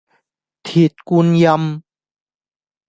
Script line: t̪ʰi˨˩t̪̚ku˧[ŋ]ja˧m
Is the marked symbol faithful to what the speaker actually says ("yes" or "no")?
no